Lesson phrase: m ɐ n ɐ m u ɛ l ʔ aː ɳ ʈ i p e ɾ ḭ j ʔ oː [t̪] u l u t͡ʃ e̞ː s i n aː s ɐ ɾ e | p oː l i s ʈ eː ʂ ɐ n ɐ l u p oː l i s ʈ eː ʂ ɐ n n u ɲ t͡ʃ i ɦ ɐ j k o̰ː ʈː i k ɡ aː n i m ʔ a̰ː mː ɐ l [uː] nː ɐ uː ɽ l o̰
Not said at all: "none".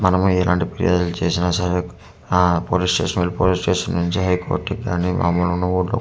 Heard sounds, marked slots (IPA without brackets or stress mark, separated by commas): d̪, u